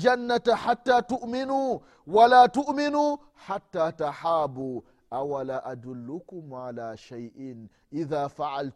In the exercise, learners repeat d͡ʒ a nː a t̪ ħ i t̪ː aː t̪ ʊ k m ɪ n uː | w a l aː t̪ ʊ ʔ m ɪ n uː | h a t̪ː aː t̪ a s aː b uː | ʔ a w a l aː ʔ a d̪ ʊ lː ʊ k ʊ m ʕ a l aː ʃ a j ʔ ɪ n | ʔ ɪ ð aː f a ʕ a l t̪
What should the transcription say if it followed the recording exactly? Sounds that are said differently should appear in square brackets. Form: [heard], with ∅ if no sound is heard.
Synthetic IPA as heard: d͡ʒ a nː a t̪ ħ [a] t̪ː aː t̪ ʊ [ʔ] m ɪ n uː | w a l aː t̪ ʊ ʔ m ɪ n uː | [ħ] a t̪ː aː t̪ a [ħ] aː b uː | ʔ a w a l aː ʔ a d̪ ʊ lː ʊ k ʊ m ʕ a l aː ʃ a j ʔ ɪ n | ʔ ɪ ð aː f a ʕ a l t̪